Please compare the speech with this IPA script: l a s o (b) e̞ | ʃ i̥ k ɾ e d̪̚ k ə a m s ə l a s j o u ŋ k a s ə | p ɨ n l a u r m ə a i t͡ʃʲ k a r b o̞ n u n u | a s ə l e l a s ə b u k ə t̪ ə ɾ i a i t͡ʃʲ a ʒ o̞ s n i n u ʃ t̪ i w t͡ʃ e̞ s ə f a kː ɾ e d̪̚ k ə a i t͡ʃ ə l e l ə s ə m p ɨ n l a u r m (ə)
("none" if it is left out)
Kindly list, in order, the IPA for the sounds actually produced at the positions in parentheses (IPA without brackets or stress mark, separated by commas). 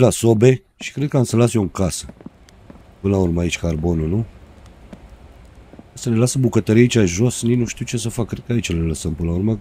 b, ə